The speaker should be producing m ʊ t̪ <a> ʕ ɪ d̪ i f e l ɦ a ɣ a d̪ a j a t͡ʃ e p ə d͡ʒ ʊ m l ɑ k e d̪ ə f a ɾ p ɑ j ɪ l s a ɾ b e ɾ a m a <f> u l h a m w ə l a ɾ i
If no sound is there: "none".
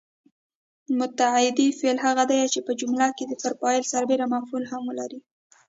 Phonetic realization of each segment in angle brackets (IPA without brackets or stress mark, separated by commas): a, f